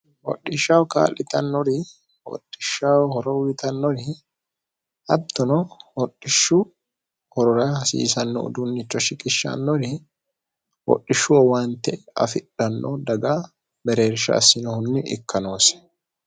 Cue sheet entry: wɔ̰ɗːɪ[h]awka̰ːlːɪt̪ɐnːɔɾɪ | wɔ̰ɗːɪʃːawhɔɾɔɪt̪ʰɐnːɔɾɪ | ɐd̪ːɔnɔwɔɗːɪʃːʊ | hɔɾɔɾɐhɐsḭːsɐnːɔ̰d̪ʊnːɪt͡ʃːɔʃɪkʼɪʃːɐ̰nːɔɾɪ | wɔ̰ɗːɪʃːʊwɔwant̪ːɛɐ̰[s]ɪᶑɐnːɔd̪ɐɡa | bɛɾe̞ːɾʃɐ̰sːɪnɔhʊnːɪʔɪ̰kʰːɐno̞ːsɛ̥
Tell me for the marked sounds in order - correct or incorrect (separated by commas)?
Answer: incorrect, incorrect